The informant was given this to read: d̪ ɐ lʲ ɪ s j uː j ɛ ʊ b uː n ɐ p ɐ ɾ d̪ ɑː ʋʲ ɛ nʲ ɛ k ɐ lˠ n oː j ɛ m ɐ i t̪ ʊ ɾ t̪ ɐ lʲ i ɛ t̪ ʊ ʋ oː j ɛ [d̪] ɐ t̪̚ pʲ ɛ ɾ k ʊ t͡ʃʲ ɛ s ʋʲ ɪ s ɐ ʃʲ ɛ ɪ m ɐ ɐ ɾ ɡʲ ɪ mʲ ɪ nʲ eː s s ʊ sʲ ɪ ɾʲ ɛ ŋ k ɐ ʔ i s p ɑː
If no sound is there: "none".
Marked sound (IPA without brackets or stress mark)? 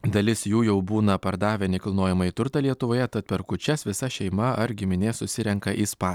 t̪